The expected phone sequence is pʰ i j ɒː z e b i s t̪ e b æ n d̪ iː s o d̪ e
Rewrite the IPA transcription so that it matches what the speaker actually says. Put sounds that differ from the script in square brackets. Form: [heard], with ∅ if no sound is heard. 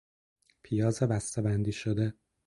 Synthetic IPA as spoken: pʰ i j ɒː z e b [æ] s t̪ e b æ n d̪ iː [ʃ] o d̪ e